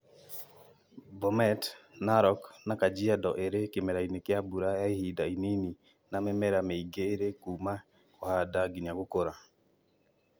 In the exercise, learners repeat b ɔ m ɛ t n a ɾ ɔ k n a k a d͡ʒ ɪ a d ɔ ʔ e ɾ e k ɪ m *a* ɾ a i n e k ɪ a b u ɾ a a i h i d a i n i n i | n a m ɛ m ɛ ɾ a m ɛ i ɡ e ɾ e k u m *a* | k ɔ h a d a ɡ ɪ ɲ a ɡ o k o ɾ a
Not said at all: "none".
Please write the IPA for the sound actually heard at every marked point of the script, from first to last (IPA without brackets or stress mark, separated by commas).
ɛ, a